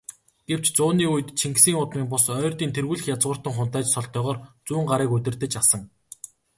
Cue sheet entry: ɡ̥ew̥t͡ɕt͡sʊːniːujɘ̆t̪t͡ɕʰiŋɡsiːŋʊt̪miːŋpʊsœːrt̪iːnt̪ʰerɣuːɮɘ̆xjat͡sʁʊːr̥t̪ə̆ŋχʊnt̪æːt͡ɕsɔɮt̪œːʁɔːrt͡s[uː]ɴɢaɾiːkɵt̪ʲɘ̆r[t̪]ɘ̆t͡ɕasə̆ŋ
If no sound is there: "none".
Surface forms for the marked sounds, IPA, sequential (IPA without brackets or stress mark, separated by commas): uː, t̪